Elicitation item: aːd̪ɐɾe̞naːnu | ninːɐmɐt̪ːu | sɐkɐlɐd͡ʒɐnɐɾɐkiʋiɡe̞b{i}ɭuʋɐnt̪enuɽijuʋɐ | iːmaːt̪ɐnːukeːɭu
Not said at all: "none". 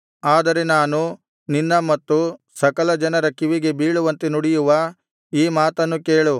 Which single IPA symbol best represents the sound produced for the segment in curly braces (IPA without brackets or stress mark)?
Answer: iː